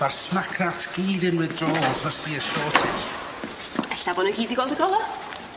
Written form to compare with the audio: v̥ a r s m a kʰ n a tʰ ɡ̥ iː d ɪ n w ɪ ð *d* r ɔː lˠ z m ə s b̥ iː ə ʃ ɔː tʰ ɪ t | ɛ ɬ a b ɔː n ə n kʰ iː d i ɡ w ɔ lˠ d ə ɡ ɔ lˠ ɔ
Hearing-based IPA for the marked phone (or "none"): d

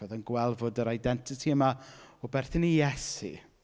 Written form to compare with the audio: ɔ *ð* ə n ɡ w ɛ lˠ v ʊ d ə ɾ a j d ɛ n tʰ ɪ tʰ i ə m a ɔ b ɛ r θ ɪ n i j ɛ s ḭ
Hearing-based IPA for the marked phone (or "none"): ð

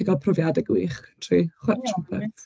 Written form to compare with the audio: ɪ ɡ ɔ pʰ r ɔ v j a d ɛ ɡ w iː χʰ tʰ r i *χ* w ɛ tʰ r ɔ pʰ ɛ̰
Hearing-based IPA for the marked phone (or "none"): χ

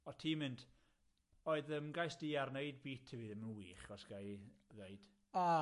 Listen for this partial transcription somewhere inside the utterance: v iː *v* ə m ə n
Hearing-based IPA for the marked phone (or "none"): ð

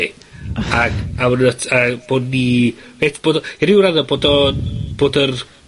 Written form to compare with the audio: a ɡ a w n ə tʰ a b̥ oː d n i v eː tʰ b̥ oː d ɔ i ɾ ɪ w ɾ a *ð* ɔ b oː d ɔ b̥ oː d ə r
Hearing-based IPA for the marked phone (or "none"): ð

